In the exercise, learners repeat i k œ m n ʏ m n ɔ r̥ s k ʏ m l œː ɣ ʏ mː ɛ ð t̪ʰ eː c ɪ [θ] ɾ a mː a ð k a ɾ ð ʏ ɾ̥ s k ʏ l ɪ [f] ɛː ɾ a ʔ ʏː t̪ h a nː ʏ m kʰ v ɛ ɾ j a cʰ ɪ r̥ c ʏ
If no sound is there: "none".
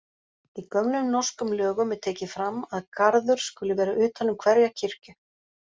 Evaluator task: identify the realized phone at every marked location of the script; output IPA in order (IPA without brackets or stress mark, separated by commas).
f, v